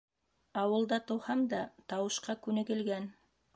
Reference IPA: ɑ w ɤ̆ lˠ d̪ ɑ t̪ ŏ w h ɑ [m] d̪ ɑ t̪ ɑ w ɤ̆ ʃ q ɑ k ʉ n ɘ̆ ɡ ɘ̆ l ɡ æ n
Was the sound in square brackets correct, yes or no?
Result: yes